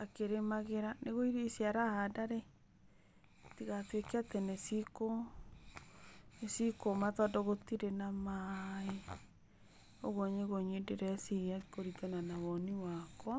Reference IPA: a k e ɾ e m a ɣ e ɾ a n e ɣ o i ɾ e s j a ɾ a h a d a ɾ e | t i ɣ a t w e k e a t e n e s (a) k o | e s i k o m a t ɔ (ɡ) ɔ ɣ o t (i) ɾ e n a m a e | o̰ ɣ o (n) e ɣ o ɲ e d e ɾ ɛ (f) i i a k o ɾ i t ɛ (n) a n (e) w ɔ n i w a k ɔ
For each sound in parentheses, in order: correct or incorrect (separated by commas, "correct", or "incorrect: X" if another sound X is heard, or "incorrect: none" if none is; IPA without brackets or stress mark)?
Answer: incorrect: i, incorrect: d, correct, incorrect: ɲ, incorrect: s, correct, incorrect: a